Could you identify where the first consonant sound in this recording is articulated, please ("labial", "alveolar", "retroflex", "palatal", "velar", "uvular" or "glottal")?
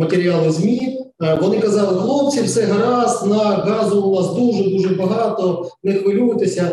labial